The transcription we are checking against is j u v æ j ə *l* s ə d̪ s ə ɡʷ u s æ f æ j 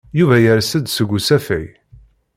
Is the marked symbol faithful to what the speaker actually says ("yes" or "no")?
no